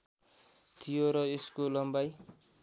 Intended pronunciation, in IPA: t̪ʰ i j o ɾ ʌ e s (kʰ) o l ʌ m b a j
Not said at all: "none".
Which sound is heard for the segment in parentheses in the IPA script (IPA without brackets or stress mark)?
k